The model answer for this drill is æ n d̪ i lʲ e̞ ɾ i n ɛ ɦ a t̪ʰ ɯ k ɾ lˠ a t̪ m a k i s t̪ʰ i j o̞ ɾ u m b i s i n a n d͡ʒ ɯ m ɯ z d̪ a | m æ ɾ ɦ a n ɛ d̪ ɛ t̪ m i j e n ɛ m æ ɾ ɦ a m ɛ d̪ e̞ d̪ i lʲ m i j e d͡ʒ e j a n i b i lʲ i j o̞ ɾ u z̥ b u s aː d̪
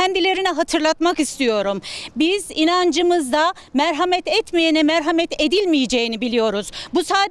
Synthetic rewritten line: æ n d̪ i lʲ e̞ ɾ i n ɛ ɦ a t̪ʰ ɯ ɾ lˠ a t̪ m a k i s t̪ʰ i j o̞ ɾ u m b i z i n a n d͡ʒ ɯ m ɯ z d̪ a | m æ ɾ ɦ a m ɛ t̪ ɛ t̪ m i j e n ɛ m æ ɾ ɦ a m ɛ t̪ e̞ d̪ i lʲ m i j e d͡ʒ e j i n i b i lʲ i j o̞ ɾ u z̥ b u s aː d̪